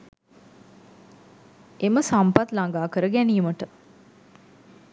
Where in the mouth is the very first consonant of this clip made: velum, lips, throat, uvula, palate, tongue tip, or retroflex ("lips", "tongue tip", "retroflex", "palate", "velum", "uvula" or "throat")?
lips